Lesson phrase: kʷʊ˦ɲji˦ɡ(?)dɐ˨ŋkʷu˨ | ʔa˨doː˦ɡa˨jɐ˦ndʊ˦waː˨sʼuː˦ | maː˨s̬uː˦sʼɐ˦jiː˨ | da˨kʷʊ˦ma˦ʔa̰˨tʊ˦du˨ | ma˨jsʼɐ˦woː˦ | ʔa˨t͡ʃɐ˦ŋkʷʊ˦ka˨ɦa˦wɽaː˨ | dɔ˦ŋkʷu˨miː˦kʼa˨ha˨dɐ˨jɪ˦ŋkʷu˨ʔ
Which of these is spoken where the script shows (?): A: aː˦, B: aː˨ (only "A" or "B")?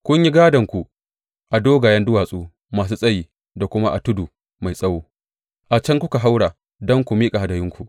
A